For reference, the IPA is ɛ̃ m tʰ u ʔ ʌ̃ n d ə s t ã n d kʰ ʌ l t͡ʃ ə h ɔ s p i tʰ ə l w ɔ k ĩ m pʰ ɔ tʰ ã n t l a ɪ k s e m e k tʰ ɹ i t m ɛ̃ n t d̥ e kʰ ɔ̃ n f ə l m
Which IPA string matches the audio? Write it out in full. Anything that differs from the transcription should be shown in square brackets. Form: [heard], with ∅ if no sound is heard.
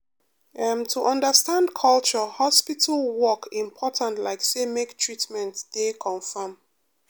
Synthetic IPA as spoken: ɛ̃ m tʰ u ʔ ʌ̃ n d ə s t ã n d kʰ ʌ l t͡ʃ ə h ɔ s p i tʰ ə l w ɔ k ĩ m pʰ ɔ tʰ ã n t l a ɪ k s e m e k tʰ ɹ i t m ɛ̃ n t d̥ e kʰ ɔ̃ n f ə [∅] m